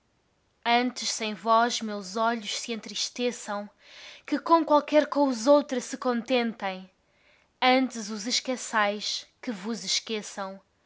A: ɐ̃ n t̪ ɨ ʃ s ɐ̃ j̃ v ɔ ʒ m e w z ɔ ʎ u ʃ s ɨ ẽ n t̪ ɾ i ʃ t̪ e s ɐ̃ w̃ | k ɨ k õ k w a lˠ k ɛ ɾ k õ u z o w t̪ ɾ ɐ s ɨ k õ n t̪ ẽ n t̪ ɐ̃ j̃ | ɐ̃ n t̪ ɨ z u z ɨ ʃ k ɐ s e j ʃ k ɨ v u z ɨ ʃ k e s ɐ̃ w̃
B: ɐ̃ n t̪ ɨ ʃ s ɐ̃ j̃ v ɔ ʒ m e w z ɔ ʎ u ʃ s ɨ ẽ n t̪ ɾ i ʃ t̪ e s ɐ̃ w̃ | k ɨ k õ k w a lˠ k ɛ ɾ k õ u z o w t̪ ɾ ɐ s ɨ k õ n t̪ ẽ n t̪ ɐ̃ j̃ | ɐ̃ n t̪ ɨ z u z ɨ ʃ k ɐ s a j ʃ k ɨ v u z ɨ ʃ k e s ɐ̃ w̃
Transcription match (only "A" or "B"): B